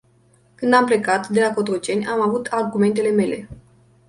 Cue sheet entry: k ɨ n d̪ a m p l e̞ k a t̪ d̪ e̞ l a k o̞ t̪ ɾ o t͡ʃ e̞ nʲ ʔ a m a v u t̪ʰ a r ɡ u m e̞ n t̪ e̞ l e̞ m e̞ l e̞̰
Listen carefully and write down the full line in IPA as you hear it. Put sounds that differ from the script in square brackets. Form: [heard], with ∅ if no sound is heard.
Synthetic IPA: k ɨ n d̪ a m p l e̞ k a t̪ d̪ e̞ l a k o̞ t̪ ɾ o t͡ʃ e̞ nʲ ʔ a m a v u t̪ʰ a r ɡ u m e̞ n t̪ e̞ l e̞ m e̞ l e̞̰